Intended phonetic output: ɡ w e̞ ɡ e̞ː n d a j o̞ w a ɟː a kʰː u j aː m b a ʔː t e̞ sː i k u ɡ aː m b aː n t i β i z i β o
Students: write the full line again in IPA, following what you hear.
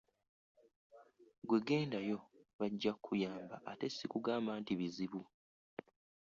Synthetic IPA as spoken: ɡ w e̞ ɡ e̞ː n d a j o̞ β a ɟː a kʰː u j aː m b a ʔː t e̞ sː i k u ɡ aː m b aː n t i β i z i β u